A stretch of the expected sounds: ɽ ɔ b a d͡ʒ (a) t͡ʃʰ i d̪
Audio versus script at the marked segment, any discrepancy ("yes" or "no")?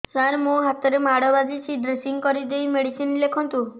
yes